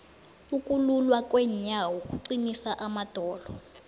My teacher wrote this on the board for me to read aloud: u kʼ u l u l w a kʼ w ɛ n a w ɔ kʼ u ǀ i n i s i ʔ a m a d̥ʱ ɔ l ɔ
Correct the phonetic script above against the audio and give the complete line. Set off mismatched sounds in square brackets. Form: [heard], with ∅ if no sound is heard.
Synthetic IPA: u kʼ u l u l w a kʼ w ɛ [ɲ] a w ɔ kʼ u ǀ i n i s [a] ʔ a m a d̥ʱ [ɔː] l ɔ